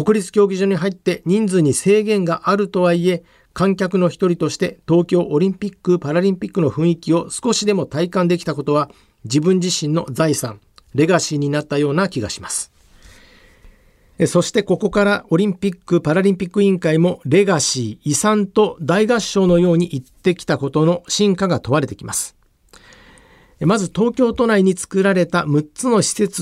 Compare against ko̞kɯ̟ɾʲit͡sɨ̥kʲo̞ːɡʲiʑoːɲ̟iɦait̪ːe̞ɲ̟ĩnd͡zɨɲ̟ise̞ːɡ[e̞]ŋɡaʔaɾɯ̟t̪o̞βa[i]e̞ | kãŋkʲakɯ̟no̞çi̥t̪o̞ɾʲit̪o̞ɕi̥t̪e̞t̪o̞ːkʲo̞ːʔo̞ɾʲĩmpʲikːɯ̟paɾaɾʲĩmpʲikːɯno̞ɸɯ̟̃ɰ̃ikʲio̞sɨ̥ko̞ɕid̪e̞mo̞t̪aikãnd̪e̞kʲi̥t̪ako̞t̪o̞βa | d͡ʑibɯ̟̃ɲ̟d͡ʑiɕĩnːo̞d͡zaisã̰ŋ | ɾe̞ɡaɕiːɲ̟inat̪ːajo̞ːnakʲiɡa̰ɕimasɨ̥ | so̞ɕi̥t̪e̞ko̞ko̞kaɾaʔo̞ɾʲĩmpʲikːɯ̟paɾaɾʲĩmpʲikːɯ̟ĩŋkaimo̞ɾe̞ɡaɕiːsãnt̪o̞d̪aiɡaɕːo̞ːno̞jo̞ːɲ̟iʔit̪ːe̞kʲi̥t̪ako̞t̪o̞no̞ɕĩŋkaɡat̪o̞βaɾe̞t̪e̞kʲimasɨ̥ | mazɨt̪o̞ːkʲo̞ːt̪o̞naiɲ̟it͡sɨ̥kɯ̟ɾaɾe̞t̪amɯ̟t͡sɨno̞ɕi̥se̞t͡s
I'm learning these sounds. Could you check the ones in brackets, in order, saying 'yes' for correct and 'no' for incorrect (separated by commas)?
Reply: no, yes